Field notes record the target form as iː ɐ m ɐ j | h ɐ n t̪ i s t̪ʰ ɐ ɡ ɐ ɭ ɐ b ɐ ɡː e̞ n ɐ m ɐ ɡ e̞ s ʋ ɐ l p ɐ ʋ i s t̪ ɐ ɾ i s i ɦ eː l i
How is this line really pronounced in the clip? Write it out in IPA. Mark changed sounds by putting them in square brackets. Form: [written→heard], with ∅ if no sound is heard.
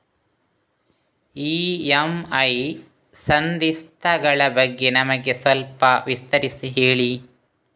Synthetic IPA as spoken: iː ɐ m ɐ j | [h→s] ɐ n [t̪→d̪] i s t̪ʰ ɐ ɡ ɐ ɭ ɐ b ɐ ɡː e̞ n ɐ m ɐ ɡ e̞ s ʋ ɐ l p ɐ ʋ i s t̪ ɐ ɾ i s i ɦ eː [l→ɭ] i